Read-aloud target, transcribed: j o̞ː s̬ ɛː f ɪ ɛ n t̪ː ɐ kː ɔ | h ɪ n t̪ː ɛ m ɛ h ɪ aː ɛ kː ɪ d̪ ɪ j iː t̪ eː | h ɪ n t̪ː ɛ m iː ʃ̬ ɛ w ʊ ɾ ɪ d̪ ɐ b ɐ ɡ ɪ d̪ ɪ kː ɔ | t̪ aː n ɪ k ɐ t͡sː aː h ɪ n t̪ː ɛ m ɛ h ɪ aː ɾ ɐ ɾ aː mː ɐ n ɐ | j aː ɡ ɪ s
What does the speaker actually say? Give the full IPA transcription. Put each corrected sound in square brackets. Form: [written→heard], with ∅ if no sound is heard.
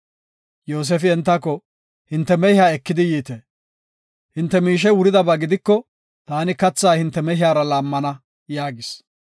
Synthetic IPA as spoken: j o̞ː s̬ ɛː f ɪ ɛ n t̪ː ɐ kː ɔ | h ɪ n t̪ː ɛ m ɛ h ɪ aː ɛ kː ɪ d̪ ɪ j iː t̪ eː | h ɪ n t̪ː ɛ m iː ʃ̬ ɛ w ʊ ɾ ɪ d̪ ɐ b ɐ ɡ ɪ d̪ ɪ kː ɔ | t̪ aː n ɪ k ɐ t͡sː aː h ɪ n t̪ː ɛ m ɛ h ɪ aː ɾ ɐ [ɾ→l] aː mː ɐ n ɐ | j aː ɡ ɪ s

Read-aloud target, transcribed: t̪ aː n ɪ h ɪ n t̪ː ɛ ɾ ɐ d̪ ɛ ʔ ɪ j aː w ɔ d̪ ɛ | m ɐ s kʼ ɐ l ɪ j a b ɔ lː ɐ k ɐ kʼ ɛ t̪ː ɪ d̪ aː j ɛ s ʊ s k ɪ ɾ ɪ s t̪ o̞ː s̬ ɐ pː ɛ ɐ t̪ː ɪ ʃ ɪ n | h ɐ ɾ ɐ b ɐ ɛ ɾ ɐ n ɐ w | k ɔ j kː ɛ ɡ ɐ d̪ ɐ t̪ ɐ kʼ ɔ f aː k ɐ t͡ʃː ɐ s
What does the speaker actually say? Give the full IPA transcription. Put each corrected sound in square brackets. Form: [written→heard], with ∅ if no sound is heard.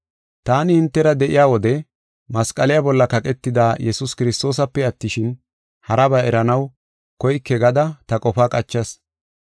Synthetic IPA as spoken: t̪ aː n ɪ h ɪ n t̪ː ɛ ɾ ɐ d̪ ɛ ʔ ɪ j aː w ɔ d̪ ɛ | m ɐ s kʼ ɐ l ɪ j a b ɔ lː ɐ k ɐ kʼ ɛ t̪ː ɪ d̪ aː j ɛ s ʊ s k ɪ ɾ ɪ s t̪ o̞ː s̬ ɐ pː ɛ ɐ t̪ː ɪ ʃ ɪ n | h ɐ ɾ ɐ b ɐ ɛ ɾ ɐ n ɐ w | k ɔ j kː ɛ ɡ ɐ d̪ ɐ t̪ ɐ kʼ ɔ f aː [k→kʼ] ɐ t͡ʃː ɐ s

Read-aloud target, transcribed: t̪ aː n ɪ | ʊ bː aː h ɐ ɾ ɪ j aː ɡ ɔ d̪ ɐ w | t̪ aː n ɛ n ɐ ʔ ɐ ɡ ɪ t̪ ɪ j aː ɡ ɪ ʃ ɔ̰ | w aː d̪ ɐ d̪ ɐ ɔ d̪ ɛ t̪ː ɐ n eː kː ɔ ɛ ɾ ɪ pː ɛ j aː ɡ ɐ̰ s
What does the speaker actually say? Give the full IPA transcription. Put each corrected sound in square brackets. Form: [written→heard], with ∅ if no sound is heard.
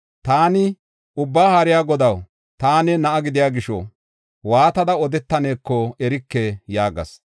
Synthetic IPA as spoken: t̪ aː n ɪ | ʊ bː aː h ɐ ɾ ɪ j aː ɡ ɔ d̪ ɐ w | t̪ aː n ɛ n ɐ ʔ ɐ ɡ ɪ [t̪→d̪] ɪ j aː ɡ ɪ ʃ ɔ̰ | w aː [d̪→t̪] ɐ d̪ ɐ ɔ d̪ ɛ t̪ː ɐ n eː kː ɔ ɛ ɾ ɪ [pː→kː] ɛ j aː ɡ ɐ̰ s

